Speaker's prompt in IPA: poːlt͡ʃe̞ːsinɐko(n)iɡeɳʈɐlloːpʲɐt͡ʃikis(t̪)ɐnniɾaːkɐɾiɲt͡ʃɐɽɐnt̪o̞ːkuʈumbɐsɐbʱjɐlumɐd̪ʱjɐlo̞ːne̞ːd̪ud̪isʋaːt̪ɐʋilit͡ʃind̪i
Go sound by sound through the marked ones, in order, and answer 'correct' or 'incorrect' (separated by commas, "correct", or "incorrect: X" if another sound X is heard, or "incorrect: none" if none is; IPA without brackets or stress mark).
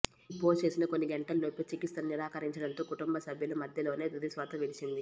incorrect: nː, correct